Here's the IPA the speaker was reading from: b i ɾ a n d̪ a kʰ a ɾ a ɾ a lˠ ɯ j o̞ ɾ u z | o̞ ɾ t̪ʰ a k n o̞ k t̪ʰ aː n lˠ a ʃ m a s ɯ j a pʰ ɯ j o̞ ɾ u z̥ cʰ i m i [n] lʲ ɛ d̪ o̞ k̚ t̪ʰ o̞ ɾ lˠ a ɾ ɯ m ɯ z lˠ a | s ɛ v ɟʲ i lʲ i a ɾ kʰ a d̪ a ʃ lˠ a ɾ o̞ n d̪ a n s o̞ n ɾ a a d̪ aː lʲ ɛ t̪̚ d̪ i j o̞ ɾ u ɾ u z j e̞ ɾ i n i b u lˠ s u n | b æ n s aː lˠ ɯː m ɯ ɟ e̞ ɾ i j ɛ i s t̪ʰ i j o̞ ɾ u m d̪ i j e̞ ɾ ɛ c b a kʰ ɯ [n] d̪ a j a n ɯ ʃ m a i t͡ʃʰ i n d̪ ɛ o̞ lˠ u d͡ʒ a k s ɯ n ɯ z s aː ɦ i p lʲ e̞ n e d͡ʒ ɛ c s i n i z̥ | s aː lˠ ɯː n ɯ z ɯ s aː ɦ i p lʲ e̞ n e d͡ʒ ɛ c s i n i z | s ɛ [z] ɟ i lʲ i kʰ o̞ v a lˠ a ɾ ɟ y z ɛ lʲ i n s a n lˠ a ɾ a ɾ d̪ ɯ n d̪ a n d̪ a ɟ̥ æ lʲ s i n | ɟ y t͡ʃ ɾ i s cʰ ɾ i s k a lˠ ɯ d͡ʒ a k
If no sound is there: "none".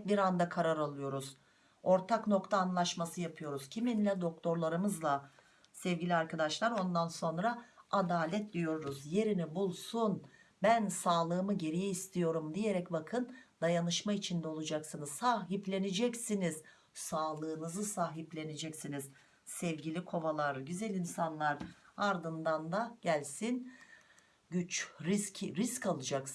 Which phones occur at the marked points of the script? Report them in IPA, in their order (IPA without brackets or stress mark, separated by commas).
n, n, v